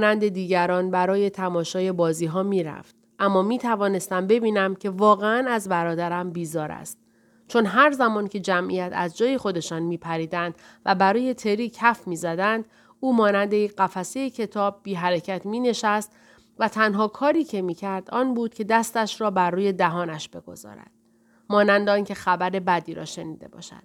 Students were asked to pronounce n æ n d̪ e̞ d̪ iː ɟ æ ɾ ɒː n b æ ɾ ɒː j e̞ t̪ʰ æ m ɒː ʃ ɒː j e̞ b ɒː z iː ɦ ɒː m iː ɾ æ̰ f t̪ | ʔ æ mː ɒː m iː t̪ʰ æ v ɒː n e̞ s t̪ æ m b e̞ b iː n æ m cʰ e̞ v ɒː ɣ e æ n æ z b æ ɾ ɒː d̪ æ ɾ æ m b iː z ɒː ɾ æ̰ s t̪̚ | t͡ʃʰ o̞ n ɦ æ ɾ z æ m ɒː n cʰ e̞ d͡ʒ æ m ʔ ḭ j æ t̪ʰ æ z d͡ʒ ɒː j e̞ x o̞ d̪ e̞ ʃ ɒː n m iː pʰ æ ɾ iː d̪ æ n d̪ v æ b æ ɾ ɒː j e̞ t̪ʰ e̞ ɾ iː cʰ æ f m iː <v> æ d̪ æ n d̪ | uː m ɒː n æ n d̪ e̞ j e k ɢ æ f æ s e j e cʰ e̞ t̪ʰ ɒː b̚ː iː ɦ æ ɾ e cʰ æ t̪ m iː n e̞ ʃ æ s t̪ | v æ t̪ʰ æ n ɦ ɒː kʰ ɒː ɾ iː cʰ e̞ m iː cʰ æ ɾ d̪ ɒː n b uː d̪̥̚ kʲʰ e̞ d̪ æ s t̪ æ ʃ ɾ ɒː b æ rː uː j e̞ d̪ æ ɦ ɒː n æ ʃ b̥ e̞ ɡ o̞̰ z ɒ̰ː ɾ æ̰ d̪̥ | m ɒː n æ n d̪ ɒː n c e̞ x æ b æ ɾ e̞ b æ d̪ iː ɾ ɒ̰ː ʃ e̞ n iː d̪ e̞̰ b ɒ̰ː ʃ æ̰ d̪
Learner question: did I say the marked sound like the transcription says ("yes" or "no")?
no